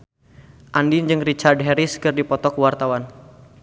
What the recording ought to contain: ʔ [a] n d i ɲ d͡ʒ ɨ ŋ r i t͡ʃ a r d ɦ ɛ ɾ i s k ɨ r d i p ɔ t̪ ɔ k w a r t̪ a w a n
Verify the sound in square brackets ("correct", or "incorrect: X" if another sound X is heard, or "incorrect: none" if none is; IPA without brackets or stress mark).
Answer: correct